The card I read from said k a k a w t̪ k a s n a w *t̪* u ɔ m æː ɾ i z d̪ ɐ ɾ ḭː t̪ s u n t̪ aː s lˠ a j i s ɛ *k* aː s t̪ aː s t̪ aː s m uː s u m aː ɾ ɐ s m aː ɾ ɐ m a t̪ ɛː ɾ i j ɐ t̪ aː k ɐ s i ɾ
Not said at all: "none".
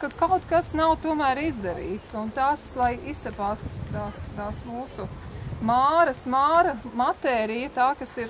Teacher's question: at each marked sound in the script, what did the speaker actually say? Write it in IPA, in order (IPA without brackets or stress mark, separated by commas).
t̪, p